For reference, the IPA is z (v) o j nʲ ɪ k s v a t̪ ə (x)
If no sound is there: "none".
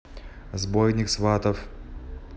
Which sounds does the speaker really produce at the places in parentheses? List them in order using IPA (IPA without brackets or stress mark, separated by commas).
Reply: b, f